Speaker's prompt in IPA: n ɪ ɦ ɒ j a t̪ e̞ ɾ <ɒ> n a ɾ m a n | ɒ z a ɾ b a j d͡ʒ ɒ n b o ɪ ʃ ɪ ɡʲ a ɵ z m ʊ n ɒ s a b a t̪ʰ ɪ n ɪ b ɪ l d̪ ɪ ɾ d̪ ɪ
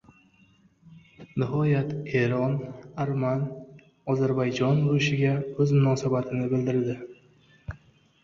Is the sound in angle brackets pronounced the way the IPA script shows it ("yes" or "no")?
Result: yes